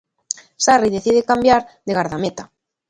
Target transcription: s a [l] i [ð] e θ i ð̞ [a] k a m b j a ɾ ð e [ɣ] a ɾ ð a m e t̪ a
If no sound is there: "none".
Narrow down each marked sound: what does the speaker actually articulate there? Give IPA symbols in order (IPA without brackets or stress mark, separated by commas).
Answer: r, ð, e, ɣ